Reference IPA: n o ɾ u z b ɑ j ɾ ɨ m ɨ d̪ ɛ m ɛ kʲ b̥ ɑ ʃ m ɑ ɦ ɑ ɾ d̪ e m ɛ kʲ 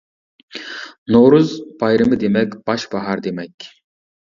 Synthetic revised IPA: n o ɾ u z b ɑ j ɾ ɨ m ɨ d̪ e m ɛ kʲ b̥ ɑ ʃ b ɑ ɦ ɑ ɾ d̪ e m ɛ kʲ